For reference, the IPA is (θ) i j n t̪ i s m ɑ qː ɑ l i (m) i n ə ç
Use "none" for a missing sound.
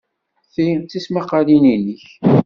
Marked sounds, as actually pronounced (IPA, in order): θ, n

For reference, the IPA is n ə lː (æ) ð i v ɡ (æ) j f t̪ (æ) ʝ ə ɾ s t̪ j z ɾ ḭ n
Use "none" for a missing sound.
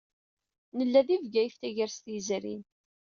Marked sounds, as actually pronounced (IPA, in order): æ, æ, æ

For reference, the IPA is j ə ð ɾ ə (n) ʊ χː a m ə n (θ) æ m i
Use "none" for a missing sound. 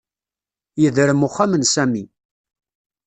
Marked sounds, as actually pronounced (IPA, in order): m, s

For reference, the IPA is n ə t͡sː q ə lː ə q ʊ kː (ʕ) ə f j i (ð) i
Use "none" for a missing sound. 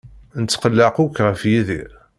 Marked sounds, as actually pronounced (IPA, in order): ʁ, ð

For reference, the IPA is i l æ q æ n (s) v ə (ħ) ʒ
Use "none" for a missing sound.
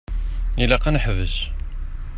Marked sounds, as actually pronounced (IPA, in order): ħ, none

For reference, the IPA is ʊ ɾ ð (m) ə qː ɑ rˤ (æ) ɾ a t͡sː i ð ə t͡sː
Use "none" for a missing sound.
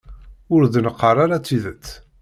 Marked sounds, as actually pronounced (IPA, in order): n, a

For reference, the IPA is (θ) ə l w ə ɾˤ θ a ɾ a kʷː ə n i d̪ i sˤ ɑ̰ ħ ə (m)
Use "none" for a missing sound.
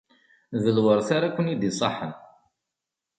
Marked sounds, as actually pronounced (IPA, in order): ð, n

